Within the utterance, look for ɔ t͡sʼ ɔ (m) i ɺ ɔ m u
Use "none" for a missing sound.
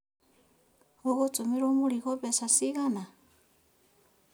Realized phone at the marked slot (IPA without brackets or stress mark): m